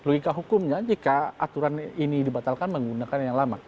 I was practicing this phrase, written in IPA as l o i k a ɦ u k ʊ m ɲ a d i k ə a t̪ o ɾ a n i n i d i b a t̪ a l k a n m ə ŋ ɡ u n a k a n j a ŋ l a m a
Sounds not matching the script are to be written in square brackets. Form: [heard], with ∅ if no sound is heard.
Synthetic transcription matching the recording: l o i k a ɦ u k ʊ m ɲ a [d͡ʒ] i k [a] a t̪ [u] ɾ a n i n i d i b a t̪ a l k a n m ə ŋ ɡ u n a k a n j a ŋ l a m a